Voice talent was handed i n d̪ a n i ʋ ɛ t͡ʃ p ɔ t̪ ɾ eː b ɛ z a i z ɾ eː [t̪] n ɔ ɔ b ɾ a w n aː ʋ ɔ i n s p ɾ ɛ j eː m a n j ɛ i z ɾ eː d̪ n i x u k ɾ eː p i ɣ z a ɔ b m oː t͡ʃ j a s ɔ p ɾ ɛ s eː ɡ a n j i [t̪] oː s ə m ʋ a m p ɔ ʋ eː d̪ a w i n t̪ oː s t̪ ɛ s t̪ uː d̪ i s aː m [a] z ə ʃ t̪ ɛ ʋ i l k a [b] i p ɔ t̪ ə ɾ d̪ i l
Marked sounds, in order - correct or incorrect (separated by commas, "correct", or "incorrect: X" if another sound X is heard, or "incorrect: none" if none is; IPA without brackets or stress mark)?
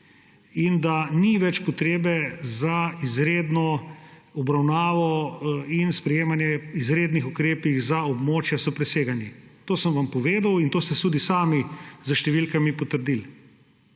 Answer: incorrect: d̪, correct, incorrect: i, incorrect: m